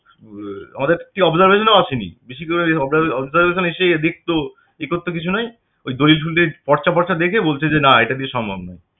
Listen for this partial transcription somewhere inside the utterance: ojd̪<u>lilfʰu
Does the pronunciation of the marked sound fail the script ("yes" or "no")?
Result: yes